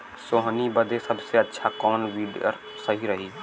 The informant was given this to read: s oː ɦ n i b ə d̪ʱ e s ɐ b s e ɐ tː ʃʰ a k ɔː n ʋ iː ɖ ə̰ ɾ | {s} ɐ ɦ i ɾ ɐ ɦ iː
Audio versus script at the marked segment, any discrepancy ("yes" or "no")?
no